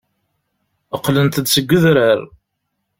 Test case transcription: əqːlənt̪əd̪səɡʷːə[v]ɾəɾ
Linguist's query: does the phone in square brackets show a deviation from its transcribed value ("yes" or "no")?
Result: yes